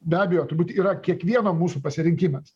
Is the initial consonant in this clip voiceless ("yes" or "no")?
no